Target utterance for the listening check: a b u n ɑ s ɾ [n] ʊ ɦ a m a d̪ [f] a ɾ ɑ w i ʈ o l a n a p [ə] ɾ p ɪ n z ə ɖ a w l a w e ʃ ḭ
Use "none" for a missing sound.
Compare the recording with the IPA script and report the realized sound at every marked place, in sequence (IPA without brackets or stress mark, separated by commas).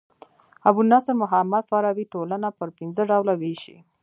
m, f, ə